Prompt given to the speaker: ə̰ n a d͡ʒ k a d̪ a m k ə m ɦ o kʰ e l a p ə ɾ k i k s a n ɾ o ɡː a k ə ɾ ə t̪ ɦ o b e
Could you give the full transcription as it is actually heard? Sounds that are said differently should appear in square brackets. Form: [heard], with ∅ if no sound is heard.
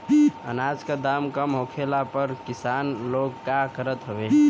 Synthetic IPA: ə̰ n a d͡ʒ k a d̪ a m k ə m ɦ o kʰ e l a p ə ɾ k i [∅] s a n [l] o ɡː a k ə ɾ ə t̪ ɦ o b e